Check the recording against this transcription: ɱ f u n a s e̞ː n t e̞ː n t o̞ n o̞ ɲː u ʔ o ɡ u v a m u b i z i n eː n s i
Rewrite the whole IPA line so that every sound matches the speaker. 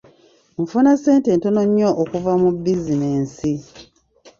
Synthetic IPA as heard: ɱ f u n a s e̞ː n t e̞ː n t o̞ n o̞ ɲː o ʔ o k u v a m u b i z i n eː n s i